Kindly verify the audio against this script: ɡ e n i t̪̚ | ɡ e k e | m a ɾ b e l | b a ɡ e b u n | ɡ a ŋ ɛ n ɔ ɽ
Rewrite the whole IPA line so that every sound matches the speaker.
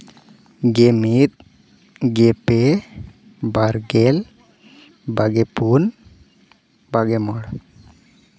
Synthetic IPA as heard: ɡ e m i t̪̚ | ɡ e p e | b a ɾ ɡ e l | b a ɡ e p u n | b a ɡ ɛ m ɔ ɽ